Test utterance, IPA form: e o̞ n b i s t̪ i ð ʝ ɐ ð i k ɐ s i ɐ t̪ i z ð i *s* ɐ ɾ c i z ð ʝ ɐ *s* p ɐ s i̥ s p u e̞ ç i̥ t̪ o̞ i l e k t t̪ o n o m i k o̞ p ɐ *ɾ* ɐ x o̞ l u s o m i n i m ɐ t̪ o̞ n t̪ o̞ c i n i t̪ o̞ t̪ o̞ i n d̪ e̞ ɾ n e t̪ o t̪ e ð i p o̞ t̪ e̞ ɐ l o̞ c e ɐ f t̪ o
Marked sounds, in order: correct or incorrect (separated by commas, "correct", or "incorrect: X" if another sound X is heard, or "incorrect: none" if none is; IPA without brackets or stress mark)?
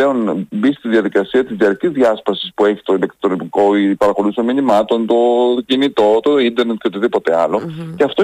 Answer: incorrect: none, correct, correct